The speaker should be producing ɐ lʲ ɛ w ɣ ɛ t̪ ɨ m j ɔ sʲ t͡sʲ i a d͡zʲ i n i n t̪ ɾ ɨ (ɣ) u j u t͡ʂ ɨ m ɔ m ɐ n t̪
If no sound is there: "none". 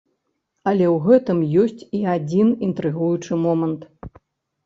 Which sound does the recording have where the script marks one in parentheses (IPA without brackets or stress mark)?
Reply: ɣ